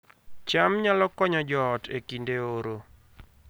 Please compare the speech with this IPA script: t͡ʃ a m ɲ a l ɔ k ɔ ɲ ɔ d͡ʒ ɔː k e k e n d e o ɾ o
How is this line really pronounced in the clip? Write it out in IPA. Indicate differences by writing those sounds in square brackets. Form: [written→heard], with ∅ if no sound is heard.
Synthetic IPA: t͡ʃ a m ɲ a l ɔ k ɔ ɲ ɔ d͡ʒ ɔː [k→t] e k [e→i] n d e o ɾ o